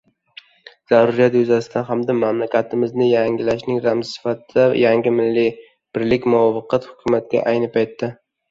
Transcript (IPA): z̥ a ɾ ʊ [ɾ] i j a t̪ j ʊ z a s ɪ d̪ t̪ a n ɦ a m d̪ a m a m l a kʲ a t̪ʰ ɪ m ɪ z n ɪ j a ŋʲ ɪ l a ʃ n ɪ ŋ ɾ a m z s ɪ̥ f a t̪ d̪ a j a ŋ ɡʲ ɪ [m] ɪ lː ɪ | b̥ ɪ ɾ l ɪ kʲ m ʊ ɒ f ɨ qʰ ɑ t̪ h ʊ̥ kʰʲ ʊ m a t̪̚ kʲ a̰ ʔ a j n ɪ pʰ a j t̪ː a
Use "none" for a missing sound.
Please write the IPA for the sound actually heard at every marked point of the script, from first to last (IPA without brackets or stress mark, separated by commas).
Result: ɾ, m